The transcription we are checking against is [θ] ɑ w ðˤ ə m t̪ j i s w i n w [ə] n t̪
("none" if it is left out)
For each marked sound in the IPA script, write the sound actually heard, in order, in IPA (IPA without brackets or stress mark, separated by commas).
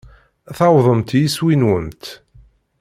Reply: θ, ə